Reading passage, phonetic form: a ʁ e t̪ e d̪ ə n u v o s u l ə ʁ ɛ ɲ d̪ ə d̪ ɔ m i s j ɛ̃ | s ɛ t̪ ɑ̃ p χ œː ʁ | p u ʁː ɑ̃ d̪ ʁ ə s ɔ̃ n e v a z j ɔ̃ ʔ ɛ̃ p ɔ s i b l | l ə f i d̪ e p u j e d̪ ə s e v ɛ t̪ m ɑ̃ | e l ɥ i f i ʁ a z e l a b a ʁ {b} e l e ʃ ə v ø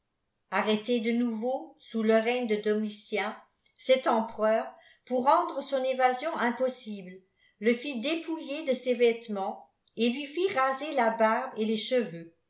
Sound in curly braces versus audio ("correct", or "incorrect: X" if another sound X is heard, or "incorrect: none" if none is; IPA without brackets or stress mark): correct